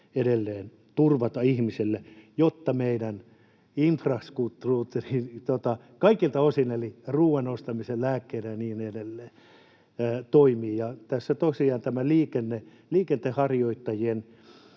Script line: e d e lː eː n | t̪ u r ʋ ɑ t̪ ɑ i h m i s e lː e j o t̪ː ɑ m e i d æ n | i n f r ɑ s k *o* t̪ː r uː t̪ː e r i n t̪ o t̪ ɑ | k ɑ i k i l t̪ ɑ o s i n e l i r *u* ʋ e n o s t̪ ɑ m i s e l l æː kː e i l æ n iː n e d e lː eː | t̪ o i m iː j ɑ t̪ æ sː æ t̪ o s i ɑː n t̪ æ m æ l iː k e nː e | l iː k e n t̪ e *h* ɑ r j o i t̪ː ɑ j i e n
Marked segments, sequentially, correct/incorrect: incorrect, incorrect, correct

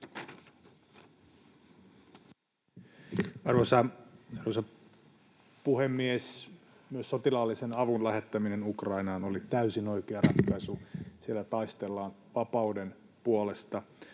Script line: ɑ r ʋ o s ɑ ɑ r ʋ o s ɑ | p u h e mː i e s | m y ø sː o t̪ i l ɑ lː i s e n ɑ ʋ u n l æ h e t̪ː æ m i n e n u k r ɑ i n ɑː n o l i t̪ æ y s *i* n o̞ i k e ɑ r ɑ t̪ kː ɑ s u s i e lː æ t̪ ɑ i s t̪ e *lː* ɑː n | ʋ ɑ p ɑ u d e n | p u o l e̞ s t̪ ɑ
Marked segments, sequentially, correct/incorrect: correct, correct

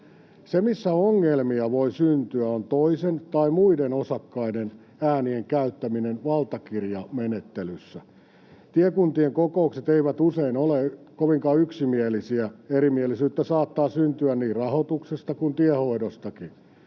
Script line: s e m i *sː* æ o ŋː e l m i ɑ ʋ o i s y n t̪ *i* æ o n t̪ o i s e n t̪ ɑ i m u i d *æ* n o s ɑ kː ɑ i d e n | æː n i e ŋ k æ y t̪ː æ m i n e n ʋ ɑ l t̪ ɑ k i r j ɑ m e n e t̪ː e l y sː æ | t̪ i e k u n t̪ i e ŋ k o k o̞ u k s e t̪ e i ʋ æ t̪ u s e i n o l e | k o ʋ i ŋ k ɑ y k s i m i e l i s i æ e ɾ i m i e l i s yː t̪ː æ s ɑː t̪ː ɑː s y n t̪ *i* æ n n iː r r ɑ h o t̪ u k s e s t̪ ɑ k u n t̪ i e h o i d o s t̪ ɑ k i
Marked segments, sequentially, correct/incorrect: correct, incorrect, incorrect, incorrect

